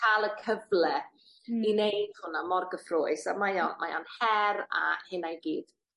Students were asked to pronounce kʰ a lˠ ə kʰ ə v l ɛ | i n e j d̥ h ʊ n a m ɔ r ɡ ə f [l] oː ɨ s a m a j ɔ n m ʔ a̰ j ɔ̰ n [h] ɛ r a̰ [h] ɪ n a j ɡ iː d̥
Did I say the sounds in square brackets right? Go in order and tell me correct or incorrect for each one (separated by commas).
incorrect, correct, correct